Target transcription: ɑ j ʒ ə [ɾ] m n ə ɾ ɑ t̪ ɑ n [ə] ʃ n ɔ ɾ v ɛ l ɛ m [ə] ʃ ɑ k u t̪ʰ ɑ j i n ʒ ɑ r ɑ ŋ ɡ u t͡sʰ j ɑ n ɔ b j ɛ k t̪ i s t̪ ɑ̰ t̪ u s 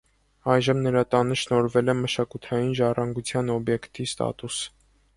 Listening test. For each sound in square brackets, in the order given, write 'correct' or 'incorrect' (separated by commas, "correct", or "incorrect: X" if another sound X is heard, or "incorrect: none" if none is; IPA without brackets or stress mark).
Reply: incorrect: none, correct, correct